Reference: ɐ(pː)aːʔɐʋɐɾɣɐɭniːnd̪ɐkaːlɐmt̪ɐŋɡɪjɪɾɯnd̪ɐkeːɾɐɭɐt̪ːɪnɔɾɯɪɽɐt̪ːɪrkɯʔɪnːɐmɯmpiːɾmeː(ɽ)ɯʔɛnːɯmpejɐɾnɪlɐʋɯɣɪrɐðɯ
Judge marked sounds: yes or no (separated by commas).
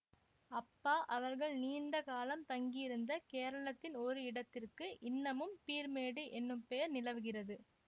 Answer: yes, yes